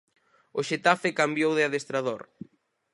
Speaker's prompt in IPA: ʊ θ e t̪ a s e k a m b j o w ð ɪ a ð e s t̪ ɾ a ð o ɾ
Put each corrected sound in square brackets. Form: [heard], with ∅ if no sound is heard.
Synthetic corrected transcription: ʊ [ʃ] e t̪ a [f] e k a m b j o w ð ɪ a ð e s t̪ ɾ a ð o ɾ

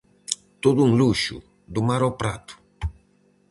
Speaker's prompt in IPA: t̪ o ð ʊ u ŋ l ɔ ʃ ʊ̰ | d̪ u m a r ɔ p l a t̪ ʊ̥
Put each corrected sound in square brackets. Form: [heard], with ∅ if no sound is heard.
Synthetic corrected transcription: t̪ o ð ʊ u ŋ l [u] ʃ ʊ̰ | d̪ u m a [ɾ] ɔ p [ɾ] a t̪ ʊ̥

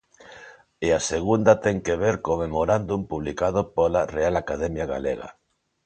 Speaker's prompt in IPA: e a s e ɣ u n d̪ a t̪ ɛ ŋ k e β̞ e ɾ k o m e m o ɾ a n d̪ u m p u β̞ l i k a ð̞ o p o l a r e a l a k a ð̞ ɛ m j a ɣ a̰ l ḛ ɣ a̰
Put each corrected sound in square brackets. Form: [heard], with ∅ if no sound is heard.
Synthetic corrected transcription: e a s e ɣ u n d̪ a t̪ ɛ ŋ k e β̞ e ɾ k o m e m o ɾ a n d̪ u m p u β̞ l i k a ð̞ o p o l a r e a l a k a ð̞ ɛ m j a ɣ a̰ l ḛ ɣ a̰

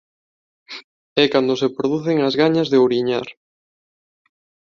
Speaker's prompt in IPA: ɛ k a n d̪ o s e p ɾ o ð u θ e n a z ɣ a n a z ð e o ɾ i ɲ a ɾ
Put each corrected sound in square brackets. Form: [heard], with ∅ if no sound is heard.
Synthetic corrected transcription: ɛ k a n d̪ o s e p ɾ o ð u θ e [ŋ] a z ɣ a [ɲ] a z ð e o ɾ i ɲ a ɾ

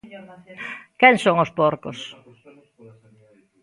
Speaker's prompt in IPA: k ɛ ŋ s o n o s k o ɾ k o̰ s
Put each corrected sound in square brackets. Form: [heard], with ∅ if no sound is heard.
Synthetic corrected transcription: k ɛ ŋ s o [ŋ] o s [p] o ɾ k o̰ s

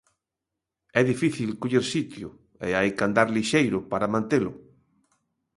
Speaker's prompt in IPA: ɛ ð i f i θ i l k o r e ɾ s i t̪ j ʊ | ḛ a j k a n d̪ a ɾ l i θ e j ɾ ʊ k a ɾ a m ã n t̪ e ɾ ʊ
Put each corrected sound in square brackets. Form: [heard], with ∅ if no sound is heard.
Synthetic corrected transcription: ɛ ð i f i θ i l k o [ʎ] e ɾ s i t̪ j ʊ | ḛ a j k a n d̪ a ɾ l i [ʃ] e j ɾ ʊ [p] a ɾ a m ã n t̪ e [l] ʊ

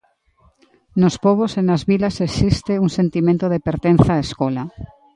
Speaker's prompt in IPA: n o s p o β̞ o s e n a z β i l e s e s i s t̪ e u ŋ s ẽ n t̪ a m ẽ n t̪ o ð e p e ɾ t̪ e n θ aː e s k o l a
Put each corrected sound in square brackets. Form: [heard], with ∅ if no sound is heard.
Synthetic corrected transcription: n o s p o β̞ o s e n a z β i l [a] s e s i s t̪ e u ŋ s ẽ n t̪ [i] m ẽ n t̪ o ð e p e ɾ t̪ e n θ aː e s k o l a

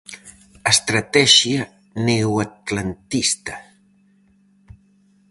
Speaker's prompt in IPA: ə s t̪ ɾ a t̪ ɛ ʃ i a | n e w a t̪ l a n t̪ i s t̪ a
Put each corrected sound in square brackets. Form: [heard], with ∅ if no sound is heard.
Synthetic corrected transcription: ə s t̪ ɾ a t̪ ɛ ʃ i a | n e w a t̪ l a n t̪ i s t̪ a

